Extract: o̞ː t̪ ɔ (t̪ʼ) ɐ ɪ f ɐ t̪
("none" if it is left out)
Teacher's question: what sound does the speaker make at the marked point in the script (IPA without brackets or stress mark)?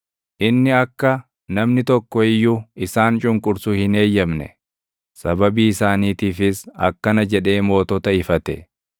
t̪